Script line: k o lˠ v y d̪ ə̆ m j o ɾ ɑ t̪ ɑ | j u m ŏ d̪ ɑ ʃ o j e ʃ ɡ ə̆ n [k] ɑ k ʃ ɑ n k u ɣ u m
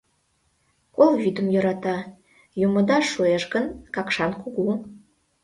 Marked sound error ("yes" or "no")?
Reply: no